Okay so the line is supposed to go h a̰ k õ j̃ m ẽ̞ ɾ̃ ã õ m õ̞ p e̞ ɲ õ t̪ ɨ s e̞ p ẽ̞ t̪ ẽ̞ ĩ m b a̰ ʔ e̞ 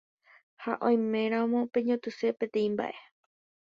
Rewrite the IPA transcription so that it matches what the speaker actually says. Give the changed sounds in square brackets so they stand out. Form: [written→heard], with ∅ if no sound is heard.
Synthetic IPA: h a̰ [k→ʔ] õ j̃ m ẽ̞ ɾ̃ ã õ m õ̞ p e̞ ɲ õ t̪ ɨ s e̞ p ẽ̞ t̪ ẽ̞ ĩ m b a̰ ʔ e̞